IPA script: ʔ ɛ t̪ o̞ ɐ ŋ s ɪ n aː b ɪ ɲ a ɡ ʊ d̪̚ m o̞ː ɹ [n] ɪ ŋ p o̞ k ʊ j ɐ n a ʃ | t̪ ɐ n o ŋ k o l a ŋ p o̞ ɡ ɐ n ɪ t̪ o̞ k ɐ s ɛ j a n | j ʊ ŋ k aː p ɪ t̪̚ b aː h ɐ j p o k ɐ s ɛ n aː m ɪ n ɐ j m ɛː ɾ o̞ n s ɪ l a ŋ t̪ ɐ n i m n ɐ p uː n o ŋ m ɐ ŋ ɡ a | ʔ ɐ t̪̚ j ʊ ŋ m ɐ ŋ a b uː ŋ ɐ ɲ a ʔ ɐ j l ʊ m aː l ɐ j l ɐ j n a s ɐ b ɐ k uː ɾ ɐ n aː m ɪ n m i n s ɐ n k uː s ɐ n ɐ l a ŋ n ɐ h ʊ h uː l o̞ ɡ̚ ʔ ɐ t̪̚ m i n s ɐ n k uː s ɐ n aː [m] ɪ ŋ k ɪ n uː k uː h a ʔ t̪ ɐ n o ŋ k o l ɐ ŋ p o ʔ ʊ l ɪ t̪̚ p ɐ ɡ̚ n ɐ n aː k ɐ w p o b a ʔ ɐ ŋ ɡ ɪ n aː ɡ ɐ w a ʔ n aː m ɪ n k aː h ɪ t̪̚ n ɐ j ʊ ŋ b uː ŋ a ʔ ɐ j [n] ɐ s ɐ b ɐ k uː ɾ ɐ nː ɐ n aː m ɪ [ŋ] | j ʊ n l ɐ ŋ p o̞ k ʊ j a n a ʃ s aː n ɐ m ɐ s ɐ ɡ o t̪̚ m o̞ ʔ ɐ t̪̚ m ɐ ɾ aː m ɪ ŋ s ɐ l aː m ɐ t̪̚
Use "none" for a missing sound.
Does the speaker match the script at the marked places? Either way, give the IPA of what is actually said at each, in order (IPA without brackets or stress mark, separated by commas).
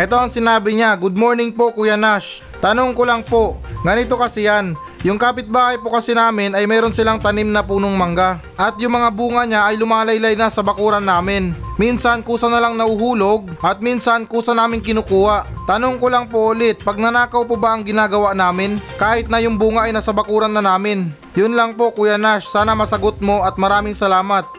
n, m, n, n